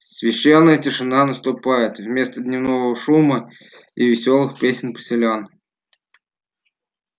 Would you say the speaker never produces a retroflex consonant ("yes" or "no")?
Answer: no